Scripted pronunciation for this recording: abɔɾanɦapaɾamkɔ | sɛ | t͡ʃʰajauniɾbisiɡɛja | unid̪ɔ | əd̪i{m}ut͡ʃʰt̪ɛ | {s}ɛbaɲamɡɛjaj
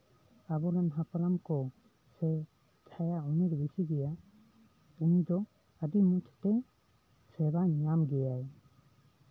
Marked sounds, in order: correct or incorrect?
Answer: correct, correct

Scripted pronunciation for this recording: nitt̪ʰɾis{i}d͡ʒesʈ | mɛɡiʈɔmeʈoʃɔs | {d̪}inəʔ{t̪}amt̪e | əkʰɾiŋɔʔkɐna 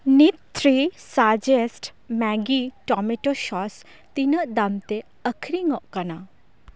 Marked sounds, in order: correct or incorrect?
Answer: incorrect, incorrect, incorrect

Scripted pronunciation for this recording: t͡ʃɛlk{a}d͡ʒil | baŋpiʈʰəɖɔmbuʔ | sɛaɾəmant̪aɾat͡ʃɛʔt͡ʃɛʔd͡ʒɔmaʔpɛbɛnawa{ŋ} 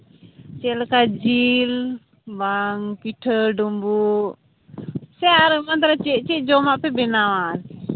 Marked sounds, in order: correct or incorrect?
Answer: correct, incorrect

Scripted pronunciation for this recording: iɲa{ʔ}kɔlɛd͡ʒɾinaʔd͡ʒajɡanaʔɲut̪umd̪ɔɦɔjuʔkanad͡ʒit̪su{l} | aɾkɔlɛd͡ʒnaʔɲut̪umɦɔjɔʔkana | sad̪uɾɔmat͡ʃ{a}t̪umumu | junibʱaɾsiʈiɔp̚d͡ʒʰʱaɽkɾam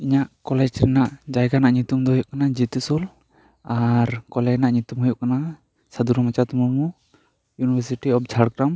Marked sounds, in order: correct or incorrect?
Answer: correct, correct, correct

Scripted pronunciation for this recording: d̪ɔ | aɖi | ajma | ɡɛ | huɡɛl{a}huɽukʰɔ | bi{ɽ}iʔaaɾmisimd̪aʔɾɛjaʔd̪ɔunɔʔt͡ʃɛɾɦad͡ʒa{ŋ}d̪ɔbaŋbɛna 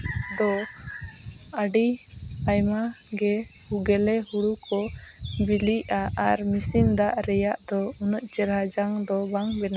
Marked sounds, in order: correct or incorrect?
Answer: incorrect, incorrect, correct

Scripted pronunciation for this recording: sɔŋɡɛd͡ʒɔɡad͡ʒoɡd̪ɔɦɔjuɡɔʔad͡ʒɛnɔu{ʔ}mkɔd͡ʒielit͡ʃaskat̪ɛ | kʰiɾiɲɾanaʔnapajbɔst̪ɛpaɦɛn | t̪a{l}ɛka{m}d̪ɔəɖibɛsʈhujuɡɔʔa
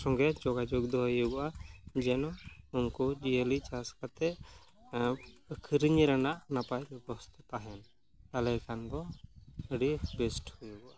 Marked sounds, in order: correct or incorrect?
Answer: incorrect, correct, incorrect

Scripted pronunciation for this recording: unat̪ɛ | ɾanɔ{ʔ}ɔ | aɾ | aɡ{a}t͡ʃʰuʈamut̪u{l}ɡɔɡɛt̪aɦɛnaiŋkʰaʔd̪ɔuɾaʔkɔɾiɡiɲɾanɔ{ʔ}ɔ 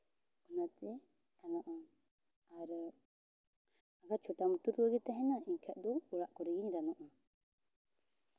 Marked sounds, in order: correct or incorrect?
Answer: correct, correct, incorrect, correct

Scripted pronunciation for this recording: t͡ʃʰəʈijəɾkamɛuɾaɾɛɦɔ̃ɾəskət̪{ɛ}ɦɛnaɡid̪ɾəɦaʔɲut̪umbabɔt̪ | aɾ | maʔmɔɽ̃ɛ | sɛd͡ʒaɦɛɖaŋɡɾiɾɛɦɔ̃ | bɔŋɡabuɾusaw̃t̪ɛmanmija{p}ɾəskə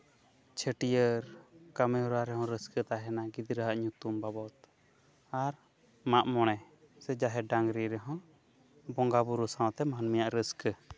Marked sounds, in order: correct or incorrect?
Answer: incorrect, incorrect

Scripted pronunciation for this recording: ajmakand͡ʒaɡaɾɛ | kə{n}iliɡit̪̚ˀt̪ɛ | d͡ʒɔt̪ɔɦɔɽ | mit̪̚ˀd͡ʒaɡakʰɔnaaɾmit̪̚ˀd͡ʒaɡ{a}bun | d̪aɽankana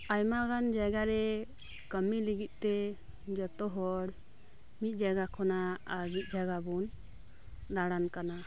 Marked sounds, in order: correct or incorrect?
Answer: incorrect, correct

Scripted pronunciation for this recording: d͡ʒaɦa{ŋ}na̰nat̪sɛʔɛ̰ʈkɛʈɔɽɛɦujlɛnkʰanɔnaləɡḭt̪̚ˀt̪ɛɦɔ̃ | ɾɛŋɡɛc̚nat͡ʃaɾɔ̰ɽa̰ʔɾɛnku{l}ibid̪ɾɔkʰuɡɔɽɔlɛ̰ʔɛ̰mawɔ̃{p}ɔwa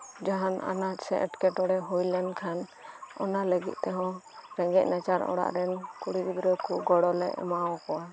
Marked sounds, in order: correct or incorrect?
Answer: incorrect, incorrect, incorrect

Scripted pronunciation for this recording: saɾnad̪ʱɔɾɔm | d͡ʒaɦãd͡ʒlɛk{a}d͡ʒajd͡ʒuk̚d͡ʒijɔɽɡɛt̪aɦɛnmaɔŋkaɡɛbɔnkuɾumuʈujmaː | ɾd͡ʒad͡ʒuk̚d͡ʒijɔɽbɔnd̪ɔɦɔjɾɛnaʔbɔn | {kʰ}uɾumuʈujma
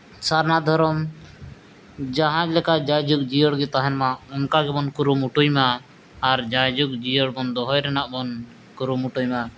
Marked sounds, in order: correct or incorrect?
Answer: correct, incorrect

